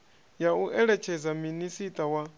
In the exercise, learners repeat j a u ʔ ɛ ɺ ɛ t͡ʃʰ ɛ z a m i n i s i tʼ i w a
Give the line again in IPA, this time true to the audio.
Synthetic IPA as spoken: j a u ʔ ɛ ɺ ɛ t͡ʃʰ ɛ z a m i n i s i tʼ a w a